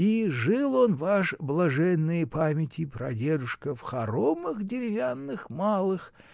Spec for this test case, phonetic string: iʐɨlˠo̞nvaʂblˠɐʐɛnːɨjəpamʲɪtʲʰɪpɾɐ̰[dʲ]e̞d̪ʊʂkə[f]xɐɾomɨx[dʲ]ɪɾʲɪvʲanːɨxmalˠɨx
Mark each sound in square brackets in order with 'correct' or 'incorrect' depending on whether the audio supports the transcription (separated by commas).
correct, correct, correct